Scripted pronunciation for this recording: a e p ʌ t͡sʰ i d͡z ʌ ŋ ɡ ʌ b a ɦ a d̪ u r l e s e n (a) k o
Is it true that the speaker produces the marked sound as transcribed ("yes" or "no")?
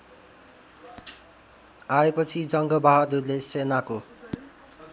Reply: yes